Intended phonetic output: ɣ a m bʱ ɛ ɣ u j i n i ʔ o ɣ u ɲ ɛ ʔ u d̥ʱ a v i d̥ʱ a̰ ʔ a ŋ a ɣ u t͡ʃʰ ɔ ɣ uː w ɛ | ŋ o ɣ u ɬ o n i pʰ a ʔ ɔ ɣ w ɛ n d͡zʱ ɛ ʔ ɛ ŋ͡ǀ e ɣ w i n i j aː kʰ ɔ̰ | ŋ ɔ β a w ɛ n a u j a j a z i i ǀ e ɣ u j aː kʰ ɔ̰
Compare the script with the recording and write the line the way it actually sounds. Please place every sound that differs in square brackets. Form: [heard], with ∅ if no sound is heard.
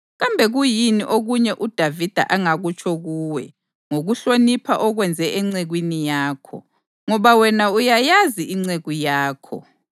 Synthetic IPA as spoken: ɣ a m bʱ ɛ ɣ u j i n i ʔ o ɣ u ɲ ɛ ʔ u d̥ʱ a v i d̥ʱ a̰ ʔ a ŋ a ɣ u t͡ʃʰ ɔ ɣ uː w ɛ | ŋ o ɣ u ɬ o n i pʰ a ʔ ɔ ɣ w ɛ n d͡zʱ ɛ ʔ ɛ ŋ͡ǀ e ɣ w i n i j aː kʰ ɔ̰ | ŋ ɔ β a w ɛ n a u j a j a z i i [ŋ͡ǀ] e ɣ u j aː kʰ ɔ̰